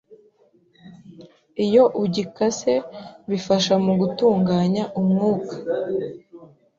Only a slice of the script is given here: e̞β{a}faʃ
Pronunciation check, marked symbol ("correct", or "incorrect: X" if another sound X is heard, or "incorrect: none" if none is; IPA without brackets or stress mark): incorrect: i